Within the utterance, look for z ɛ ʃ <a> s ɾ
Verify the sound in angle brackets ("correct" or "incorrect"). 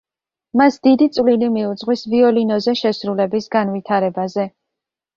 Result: incorrect